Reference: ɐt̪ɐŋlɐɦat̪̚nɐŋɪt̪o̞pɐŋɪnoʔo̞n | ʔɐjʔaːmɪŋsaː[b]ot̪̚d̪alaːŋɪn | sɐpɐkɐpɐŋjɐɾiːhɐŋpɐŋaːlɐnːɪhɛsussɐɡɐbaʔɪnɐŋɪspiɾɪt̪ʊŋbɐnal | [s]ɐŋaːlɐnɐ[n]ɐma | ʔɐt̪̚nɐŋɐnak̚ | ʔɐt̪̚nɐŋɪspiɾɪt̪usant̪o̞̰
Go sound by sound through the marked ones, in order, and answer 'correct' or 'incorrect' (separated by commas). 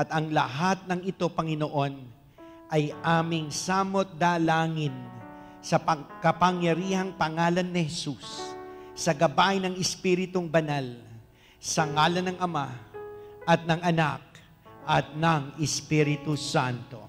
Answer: incorrect, correct, incorrect